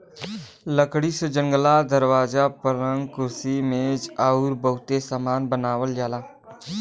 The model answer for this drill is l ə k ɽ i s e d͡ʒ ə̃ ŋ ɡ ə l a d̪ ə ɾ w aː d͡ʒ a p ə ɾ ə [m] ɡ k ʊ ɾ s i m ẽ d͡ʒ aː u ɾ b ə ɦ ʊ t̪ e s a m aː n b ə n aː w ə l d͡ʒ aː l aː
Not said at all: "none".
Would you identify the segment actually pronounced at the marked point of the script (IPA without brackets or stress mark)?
ŋ